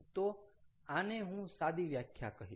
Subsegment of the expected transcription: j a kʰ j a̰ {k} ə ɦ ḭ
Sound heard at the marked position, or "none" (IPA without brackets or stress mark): k